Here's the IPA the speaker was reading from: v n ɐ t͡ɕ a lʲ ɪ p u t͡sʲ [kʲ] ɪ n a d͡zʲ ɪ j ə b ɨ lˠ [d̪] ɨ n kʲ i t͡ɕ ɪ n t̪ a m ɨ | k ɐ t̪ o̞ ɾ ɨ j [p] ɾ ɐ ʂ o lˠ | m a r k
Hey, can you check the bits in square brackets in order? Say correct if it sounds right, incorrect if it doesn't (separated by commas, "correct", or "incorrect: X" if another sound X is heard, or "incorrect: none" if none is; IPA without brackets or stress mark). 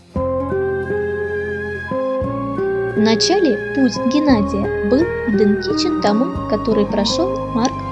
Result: incorrect: ɡʲ, correct, correct